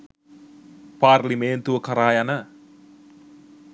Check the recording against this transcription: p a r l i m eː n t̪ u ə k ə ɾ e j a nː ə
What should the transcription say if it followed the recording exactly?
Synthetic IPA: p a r l i m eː n t̪ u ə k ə ɾ a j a n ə